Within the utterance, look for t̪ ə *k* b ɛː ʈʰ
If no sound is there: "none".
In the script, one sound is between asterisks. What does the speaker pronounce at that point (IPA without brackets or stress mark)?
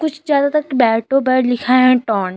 k